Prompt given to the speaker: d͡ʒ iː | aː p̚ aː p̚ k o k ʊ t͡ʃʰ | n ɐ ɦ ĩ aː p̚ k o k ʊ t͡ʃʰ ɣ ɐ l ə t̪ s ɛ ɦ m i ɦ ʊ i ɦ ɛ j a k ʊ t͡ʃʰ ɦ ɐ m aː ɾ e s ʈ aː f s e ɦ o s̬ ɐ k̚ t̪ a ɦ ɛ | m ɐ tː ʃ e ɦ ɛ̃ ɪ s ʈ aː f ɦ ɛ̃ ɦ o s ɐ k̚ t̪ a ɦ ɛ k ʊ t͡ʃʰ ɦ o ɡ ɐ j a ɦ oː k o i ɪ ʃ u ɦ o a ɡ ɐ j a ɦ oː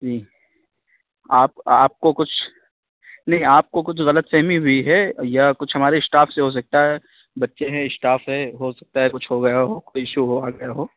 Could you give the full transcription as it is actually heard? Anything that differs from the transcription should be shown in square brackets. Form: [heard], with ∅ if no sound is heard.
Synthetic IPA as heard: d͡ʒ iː | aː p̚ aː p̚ k o k ʊ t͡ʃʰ | n ɐ ɦ ĩ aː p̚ k o k ʊ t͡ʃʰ ɣ ɐ l ə t̪ s ɛ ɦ m i ɦ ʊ i ɦ ɛ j a k ʊ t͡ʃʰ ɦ ɐ m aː ɾ e s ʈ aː f s e ɦ o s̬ ɐ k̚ t̪ a ɦ ɛ | [b] ɐ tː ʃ e ɦ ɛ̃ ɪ s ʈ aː f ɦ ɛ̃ ɦ o s ɐ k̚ t̪ a ɦ ɛ k ʊ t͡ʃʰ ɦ o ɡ ɐ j a ɦ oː k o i ɪ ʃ u ɦ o a ɡ ɐ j a ɦ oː

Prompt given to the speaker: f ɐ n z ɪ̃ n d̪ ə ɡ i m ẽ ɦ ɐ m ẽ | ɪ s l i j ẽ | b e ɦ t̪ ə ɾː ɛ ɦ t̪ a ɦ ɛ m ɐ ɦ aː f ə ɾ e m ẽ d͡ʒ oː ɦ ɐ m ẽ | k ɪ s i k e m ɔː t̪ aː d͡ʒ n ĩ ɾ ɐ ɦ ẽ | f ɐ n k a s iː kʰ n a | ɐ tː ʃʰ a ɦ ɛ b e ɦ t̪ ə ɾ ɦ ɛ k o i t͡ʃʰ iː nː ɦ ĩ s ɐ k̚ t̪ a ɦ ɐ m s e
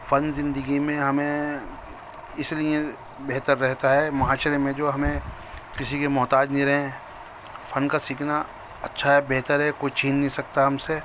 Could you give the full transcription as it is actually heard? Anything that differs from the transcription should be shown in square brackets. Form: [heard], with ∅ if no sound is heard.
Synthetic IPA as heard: f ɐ n z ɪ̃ n d̪ ə ɡ i m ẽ ɦ ɐ m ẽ | ɪ s l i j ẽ | b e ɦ t̪ ə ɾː ɛ ɦ t̪ a ɦ ɛ m ɐ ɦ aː [ʃ] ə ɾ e m ẽ d͡ʒ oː ɦ ɐ m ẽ | k ɪ s i k e m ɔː t̪ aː d͡ʒ n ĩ ɾ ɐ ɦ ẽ | f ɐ n k a s iː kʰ n a | ɐ tː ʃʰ a ɦ ɛ b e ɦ t̪ ə ɾ ɦ ɛ k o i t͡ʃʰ iː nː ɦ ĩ s ɐ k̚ t̪ a ɦ ɐ m s e

